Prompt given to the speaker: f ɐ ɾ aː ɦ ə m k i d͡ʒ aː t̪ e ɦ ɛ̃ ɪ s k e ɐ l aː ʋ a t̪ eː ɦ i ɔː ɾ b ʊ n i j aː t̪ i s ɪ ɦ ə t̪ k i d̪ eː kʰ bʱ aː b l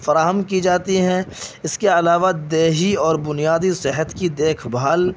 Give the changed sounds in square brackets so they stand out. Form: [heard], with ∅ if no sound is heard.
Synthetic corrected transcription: f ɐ ɾ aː ɦ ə m k i d͡ʒ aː t̪ [i] ɦ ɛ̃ ɪ s k e ɐ l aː ʋ a [d̪] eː ɦ i ɔː ɾ b ʊ n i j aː [d̪] i s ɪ ɦ ə t̪ k i d̪ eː kʰ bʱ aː [∅] l